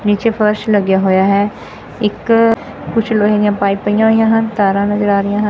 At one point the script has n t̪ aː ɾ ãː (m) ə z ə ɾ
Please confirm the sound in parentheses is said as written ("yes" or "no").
no